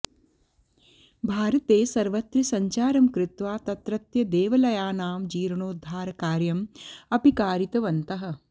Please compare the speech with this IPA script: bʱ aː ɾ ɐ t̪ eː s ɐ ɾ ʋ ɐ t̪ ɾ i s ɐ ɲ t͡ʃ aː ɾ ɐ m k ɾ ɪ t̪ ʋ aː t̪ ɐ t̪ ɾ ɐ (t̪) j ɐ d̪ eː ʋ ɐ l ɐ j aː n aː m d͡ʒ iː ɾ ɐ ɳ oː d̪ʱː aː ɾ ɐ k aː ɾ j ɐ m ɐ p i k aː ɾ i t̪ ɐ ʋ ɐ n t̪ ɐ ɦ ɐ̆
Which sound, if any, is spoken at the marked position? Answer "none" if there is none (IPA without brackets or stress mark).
t̪